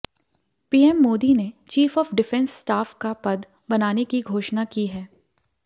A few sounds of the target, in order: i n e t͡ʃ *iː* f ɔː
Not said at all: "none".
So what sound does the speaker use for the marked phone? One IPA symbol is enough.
iː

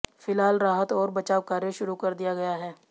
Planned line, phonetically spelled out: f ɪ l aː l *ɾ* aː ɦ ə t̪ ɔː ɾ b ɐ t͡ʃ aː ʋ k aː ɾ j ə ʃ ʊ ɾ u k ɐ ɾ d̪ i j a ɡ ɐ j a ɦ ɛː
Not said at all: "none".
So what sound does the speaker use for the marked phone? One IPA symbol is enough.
ɾ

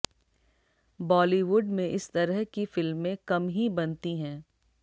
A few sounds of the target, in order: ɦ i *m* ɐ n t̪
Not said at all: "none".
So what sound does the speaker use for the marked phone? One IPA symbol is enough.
b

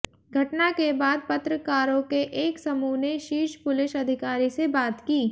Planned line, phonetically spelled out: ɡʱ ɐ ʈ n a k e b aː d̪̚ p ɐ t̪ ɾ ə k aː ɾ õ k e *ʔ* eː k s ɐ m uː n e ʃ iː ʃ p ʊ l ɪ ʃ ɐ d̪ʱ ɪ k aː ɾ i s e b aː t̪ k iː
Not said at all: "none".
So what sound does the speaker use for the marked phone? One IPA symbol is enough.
ʔ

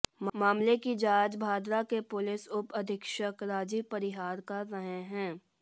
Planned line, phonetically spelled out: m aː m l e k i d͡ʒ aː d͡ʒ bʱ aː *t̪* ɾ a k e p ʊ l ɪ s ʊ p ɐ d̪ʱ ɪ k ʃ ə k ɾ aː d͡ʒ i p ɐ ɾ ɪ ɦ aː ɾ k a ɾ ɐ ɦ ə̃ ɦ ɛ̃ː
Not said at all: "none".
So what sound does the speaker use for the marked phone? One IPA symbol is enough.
d̪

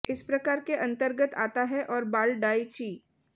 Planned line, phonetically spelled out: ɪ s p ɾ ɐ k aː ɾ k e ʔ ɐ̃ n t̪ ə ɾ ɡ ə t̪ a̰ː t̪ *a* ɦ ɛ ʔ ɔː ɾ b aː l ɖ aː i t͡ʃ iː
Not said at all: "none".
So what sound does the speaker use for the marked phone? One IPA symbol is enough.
a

